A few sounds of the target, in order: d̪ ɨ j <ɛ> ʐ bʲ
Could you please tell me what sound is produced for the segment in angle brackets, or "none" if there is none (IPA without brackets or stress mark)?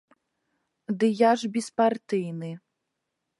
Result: a